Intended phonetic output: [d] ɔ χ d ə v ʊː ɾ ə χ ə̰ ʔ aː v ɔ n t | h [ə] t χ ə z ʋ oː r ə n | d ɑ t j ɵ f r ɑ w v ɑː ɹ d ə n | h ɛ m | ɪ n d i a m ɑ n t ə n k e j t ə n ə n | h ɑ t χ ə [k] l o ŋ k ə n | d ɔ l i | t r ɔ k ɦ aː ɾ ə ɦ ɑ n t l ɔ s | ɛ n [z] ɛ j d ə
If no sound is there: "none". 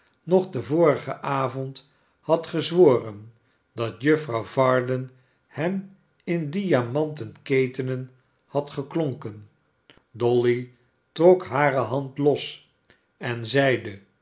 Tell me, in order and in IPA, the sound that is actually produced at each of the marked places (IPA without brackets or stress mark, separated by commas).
n, ɑ, k, z